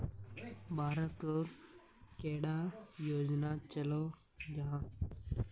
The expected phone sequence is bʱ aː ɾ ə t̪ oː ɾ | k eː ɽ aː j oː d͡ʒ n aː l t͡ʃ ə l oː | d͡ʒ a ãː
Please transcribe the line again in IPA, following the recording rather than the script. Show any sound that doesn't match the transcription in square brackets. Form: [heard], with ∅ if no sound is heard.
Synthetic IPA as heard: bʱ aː ɾ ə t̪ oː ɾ | k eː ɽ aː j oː d͡ʒ n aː [∅] t͡ʃ ə l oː | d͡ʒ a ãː